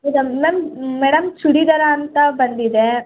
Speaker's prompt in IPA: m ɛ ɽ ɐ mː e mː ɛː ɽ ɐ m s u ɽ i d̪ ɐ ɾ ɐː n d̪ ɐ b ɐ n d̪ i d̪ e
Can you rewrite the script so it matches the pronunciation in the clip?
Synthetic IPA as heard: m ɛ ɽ ɐ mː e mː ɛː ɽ ɐ m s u ɽ i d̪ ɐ ɾ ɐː n t̪ ɐ b ɐ n d̪ i d̪ e